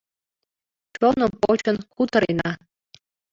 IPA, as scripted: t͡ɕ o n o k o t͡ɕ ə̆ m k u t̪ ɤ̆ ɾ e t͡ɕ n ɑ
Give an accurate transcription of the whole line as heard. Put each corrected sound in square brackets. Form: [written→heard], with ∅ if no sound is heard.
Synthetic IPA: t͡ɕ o n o [k→p] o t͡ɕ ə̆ [m→n] k u t̪ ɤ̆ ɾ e [t͡ɕ→∅] n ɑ